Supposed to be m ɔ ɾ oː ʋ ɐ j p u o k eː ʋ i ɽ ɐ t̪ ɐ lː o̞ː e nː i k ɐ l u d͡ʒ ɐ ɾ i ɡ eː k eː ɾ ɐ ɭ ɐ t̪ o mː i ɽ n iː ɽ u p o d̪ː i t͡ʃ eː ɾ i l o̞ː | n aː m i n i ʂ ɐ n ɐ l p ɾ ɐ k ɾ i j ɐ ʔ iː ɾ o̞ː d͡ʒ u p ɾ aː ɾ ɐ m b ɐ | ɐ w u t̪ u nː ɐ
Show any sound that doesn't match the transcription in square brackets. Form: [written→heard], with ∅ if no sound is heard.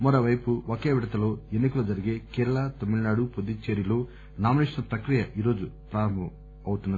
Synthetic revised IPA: m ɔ ɾ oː ʋ ɐ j p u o k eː ʋ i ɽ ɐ t̪ ɐ [lː→l] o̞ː e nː i k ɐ l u d͡ʒ ɐ ɾ i ɡ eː k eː ɾ ɐ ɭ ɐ t̪ o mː i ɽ n [iː→aː] ɽ u p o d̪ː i t͡ʃ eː ɾ i l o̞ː | n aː m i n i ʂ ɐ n ɐ [l→∅] p ɾ ɐ k ɾ i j ɐ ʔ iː ɾ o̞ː d͡ʒ u p ɾ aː ɾ ɐ m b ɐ | ɐ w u t̪ u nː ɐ